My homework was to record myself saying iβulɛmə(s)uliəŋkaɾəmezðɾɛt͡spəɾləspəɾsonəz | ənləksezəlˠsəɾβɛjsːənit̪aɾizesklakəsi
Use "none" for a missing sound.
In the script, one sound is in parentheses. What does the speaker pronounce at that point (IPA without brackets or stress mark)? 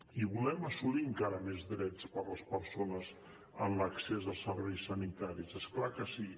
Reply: s